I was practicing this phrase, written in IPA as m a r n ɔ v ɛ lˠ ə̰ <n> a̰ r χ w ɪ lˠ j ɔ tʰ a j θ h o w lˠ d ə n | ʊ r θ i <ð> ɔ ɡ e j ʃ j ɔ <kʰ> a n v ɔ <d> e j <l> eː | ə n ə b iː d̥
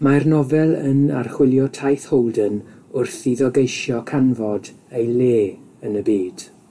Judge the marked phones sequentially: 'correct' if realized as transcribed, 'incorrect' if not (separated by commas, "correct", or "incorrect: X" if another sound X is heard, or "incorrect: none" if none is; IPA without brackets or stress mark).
correct, correct, correct, correct, correct